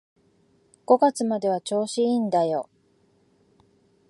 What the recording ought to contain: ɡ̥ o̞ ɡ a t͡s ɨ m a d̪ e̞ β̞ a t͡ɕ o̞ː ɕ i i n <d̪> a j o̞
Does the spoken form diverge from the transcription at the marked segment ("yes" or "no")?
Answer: no